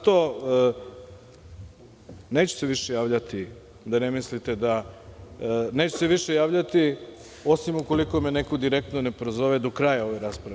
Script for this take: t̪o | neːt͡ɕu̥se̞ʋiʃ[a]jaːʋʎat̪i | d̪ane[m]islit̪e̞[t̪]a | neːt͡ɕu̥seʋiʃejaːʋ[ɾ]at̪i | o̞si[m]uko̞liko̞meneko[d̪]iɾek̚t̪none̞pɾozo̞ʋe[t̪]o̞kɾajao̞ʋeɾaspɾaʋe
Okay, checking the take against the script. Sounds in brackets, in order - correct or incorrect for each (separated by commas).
incorrect, correct, incorrect, incorrect, correct, correct, incorrect